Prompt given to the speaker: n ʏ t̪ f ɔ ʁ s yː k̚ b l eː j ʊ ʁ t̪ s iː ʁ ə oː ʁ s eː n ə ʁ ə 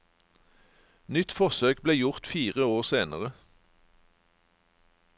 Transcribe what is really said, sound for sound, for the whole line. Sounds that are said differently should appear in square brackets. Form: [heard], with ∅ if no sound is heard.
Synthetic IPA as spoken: n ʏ t̪ f ɔ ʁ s [øː] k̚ b l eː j ʊ ʁ t̪ [f] iː ʁ ə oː ʁ s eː n ə ʁ ə